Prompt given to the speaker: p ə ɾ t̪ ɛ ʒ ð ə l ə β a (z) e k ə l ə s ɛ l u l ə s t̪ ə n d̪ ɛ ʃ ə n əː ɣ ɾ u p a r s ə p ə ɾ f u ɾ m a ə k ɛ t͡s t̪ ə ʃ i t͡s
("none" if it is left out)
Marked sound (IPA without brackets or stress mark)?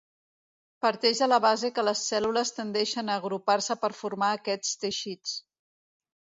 z